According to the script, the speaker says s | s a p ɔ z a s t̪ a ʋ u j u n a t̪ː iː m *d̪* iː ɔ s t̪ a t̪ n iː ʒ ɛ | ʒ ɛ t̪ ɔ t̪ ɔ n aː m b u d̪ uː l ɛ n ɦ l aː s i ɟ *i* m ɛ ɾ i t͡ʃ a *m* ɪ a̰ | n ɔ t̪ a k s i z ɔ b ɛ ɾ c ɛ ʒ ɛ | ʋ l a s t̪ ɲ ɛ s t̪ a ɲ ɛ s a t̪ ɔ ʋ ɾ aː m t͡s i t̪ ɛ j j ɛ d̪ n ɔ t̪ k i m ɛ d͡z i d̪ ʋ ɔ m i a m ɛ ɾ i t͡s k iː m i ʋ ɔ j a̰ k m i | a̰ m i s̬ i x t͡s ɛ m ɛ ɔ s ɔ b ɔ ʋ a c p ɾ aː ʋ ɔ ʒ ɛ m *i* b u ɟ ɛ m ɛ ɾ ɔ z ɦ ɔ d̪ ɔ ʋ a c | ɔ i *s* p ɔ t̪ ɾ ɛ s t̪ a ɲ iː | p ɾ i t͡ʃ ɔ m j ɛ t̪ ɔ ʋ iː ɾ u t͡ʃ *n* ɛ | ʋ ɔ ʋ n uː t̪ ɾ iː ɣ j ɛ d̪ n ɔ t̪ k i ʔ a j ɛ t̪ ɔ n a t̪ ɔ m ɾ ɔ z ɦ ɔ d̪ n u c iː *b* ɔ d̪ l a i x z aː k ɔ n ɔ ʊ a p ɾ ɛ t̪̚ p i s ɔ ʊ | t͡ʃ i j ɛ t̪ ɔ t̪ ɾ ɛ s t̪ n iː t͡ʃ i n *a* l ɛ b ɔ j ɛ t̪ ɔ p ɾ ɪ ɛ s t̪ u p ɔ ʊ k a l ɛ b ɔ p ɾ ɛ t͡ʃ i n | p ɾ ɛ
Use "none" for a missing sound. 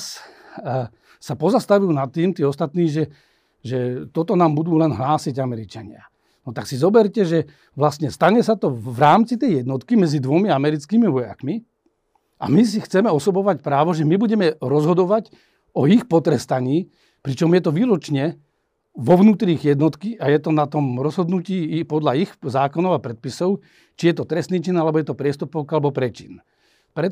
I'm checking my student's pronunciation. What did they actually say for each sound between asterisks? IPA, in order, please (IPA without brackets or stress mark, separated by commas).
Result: t̪, a, ɲ, i, x, ɲ, p, a